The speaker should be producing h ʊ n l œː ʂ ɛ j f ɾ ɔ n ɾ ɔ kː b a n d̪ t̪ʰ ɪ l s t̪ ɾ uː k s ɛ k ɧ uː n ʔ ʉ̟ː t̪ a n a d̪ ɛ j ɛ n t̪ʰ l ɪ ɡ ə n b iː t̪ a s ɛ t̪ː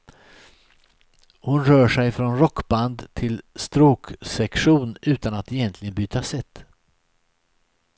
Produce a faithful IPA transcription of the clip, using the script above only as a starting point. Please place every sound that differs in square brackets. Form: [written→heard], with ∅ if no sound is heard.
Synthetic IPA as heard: h ʊ n [l→ɾ] œː ʂ ɛ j f ɾ ɔ n ɾ ɔ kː b a n d̪ t̪ʰ ɪ l s t̪ ɾ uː k s ɛ k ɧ uː n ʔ ʉ̟ː t̪ a n a [d̪→t̪] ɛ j ɛ n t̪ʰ l ɪ ɡ ə n b [iː→yː] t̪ a s ɛ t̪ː